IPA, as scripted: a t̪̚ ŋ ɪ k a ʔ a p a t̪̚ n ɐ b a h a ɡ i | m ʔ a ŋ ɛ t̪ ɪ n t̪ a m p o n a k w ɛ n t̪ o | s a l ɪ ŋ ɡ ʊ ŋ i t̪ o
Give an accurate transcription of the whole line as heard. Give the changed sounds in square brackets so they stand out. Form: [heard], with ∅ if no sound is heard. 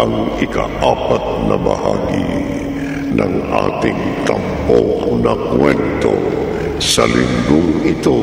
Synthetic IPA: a [∅] ŋ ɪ k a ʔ a p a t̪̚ n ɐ b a h a ɡ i | [n] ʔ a ŋ [a] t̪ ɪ [ŋ] t̪ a m p o n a k w ɛ n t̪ o | s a l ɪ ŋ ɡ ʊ ŋ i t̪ o

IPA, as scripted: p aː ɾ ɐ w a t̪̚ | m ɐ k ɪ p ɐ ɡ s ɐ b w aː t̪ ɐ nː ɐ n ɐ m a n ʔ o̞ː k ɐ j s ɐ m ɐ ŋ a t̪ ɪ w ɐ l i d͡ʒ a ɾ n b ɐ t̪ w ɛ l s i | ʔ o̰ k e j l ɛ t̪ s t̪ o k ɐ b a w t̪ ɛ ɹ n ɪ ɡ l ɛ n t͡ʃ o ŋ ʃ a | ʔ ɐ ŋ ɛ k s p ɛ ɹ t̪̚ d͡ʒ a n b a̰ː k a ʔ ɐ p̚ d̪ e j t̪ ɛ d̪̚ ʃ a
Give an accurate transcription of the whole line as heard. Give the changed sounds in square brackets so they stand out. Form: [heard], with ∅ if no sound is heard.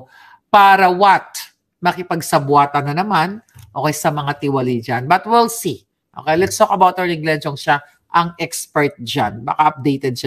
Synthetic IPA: p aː ɾ ɐ w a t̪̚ | m ɐ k ɪ p ɐ ɡ s ɐ b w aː t̪ ɐ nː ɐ n ɐ m a n ʔ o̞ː k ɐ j s ɐ m ɐ ŋ a t̪ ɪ w ɐ l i d͡ʒ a [∅] n b ɐ t̪ w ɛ l s i | ʔ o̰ k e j l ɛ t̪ s t̪ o k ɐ b a w t̪ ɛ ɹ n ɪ ɡ l ɛ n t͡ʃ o ŋ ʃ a | ʔ ɐ ŋ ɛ k s p ɛ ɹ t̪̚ d͡ʒ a n b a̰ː k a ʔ ɐ p̚ d̪ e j t̪ ɛ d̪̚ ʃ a

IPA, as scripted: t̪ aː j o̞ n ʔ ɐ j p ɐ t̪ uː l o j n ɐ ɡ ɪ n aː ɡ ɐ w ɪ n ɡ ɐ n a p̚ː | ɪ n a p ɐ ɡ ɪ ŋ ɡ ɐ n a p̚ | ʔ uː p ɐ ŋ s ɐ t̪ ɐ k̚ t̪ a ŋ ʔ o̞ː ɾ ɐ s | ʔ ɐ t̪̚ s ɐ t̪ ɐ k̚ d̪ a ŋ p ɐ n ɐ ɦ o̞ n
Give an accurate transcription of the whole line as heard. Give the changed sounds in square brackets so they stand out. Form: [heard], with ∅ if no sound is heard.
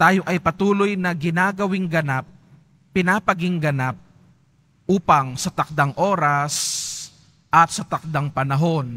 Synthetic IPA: t̪ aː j o̞ [∅] ʔ ɐ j p ɐ t̪ uː l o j n ɐ ɡ ɪ n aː ɡ ɐ w ɪ [ŋ] ɡ ɐ n a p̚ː | ɪ n a p ɐ ɡ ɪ ŋ ɡ ɐ n a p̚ | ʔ uː p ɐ ŋ s ɐ t̪ ɐ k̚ [d̪] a ŋ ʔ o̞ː ɾ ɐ s | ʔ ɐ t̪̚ s ɐ t̪ ɐ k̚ d̪ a ŋ p ɐ n ɐ ɦ o̞ n

